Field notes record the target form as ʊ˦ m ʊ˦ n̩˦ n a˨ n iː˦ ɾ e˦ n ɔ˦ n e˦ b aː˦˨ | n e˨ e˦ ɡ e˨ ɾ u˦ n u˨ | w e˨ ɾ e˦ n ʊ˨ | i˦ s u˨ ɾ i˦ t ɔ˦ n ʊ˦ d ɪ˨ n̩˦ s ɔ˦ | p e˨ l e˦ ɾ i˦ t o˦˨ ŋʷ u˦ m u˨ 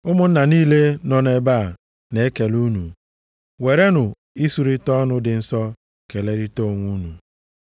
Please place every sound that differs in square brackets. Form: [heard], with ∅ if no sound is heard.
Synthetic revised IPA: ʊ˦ m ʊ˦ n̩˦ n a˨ n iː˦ [l] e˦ n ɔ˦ n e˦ b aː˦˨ | n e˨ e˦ [k] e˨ [l] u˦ n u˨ | w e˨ ɾ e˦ n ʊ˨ | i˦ s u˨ ɾ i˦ t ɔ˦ n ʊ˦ d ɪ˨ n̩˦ s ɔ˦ | [k] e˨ l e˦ ɾ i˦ t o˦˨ ŋʷ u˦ [n] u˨